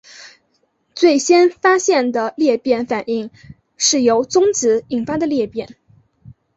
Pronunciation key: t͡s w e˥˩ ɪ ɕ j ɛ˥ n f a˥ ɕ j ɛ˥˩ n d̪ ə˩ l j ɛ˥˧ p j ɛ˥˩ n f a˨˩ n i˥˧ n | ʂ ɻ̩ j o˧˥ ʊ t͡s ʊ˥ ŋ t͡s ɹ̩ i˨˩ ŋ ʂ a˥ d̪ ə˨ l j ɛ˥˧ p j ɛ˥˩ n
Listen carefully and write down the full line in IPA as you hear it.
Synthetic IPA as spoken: t͡s w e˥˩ ɪ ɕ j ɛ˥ n f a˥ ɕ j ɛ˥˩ n d̪ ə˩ l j ɛ˥˧ p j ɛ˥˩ n f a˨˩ n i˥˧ ŋ | ʂ ɻ̩ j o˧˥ ʊ t͡s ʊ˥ ŋ t͡s ɹ̩ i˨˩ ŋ f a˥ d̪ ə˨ l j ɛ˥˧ p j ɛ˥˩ n